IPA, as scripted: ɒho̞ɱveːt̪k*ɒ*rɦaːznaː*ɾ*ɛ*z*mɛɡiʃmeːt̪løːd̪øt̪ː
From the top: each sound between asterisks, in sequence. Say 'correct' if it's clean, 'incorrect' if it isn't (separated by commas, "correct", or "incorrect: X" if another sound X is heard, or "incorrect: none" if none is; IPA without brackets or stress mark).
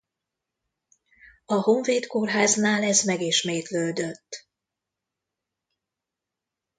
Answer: incorrect: o, incorrect: l, correct